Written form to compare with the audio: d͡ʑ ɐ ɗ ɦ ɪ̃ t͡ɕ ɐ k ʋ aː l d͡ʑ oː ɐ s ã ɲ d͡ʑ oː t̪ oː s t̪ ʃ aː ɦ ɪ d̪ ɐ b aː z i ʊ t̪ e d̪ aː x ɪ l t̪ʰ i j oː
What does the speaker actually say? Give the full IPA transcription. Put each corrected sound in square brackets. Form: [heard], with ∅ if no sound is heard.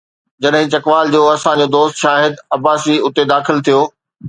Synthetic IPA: d͡ʑ ɐ ɗ ɦ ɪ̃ t͡ɕ ɐ k ʋ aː l d͡ʑ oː ɐ s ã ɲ d͡ʑ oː [d̪] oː s t̪ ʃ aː ɦ ɪ d̪ ɐ b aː [s] i ʊ t̪ e d̪ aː x ɪ l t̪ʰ i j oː

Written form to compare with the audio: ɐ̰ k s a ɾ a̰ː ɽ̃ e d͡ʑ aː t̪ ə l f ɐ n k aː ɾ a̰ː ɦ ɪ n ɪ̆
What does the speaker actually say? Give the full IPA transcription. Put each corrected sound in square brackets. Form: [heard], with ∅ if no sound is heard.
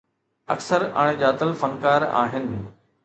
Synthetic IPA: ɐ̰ k s [ə] ɾ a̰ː ɽ̃ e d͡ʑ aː t̪ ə l f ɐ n k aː ɾ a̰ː ɦ ɪ n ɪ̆

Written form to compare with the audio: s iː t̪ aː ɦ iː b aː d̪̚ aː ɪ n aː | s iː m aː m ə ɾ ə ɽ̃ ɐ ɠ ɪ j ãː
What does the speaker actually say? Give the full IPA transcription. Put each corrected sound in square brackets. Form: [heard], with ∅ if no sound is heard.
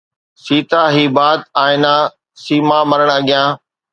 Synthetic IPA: s iː t̪ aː ɦ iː b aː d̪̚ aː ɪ n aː | s iː m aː m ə ɾ ə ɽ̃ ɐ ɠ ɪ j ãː

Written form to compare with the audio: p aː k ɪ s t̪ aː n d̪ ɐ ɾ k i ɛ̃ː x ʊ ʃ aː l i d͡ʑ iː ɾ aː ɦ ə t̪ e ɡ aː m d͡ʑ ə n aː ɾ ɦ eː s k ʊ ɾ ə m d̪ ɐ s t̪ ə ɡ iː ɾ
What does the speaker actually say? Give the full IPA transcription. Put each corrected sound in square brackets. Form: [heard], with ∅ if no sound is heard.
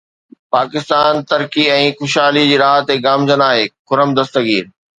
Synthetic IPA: p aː k ɪ s t̪ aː n [t̪] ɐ ɾ k i ɛ̃ː x ʊ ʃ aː l i d͡ʑ iː ɾ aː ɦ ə t̪ e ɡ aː m d͡ʑ ə n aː [∅] ɦ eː [∅] k ʊ ɾ ə m d̪ ɐ s t̪ ə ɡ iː ɾ

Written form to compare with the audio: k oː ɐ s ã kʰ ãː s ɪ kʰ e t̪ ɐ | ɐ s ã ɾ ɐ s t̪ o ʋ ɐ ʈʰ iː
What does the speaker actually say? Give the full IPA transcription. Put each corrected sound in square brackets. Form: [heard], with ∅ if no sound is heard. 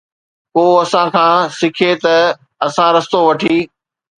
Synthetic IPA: k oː ɐ s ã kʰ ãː s ɪ kʰ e t̪ ɐ | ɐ s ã ɾ ɐ s t̪ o ʋ ɐ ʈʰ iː

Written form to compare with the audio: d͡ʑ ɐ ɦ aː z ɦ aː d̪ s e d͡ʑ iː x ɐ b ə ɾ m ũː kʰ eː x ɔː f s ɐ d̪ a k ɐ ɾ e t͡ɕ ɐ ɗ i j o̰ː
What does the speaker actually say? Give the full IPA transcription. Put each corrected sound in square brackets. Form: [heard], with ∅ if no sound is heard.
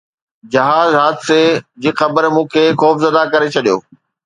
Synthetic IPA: d͡ʑ ɐ ɦ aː z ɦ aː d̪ s e d͡ʑ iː x ɐ b ə ɾ m ũː kʰ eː x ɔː f [z] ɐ d̪ a k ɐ ɾ e [t͡ɕʰ] ɐ ɗ i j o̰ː

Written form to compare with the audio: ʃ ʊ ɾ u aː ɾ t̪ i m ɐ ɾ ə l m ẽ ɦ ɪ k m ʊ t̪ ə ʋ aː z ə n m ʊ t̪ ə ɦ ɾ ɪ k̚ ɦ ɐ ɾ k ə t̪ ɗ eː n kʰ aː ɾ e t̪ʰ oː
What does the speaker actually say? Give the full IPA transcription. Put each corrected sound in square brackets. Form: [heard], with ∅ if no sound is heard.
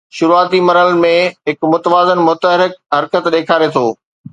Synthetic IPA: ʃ ʊ ɾ u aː [∅] t̪ i m ɐ ɾ ə l m ẽ ɦ ɪ k m ʊ t̪ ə ʋ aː z ə n m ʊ t̪ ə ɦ ɾ ɪ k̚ ɦ ɐ ɾ k ə t̪ ɗ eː [∅] kʰ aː ɾ e t̪ʰ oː

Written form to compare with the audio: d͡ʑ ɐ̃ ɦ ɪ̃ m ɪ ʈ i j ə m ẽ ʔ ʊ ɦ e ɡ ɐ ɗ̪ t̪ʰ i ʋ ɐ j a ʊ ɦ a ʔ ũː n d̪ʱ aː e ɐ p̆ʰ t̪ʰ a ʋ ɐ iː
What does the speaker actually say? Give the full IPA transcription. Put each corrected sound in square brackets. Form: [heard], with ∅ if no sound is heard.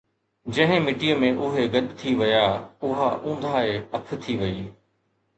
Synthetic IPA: d͡ʑ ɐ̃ ɦ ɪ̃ m ɪ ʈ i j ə m ẽ ʔ ʊ ɦ e ɡ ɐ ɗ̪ t̪ʰ i ʋ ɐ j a ʊ ɦ a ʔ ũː n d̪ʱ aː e ɐ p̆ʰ t̪ʰ [i] ʋ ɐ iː

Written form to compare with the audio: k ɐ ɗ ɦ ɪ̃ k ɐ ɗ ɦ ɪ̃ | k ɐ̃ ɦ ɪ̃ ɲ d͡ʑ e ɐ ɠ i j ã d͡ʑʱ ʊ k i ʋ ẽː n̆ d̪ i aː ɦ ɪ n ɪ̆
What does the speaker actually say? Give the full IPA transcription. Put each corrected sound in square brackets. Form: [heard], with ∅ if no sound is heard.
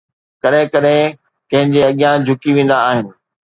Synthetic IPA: k ɐ ɗ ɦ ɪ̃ k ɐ ɗ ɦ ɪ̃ | k ɐ̃ ɦ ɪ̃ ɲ d͡ʑ e ɐ ɠ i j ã d͡ʑʱ ʊ k i ʋ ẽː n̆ d̪ [a] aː ɦ ɪ n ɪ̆

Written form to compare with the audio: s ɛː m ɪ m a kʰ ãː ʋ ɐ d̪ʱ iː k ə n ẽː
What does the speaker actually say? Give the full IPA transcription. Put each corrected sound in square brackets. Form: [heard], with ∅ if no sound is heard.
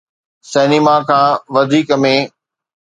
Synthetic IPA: s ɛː [n] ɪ m a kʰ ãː ʋ ɐ d̪ʱ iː k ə [m] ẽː

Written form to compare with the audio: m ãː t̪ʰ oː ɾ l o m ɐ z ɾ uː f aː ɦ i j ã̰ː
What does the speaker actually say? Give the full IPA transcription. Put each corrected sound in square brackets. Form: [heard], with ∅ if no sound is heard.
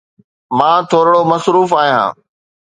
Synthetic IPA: m ãː t̪ʰ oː ɾ [ɽ] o m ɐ [s] ɾ uː f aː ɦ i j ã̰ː

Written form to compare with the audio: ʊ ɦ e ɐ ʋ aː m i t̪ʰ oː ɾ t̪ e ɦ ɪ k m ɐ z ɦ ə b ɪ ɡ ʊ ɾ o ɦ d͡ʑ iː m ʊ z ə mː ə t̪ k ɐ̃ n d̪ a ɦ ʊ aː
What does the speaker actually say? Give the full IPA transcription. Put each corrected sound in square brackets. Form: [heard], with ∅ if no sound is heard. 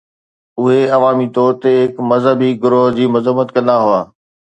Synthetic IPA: ʊ ɦ e ɐ ʋ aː m i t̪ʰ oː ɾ t̪ e ɦ ɪ k m ɐ z ɦ ə b [i] ɡ ʊ ɾ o ɦ d͡ʑ iː m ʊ z ə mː ə t̪ k ɐ̃ n d̪ a ɦ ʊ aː

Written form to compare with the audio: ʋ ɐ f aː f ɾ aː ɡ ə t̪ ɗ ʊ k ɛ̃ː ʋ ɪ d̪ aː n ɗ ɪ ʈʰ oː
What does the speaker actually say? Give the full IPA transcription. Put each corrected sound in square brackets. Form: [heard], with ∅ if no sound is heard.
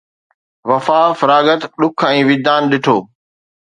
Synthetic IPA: ʋ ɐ f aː f ɾ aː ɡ ə t̪ ɗ ʊ [kʰ] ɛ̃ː ʋ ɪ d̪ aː n ɗ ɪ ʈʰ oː

